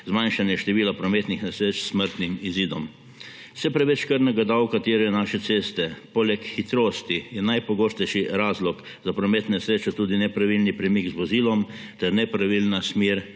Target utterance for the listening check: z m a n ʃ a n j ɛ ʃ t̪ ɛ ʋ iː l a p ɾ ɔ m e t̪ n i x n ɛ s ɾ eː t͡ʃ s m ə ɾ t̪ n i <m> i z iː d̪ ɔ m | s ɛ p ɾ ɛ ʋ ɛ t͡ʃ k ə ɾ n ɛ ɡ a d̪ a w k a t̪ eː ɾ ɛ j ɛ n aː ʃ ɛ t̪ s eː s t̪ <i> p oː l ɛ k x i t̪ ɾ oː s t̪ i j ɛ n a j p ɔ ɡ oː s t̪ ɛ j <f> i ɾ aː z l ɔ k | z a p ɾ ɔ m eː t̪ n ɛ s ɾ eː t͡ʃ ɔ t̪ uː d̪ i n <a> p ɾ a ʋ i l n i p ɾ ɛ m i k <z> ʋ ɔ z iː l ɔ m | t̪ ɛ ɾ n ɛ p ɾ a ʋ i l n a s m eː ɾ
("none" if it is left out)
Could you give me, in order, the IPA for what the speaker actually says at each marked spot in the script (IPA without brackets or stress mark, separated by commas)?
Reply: m, ɛ, ʃ, ɛ, z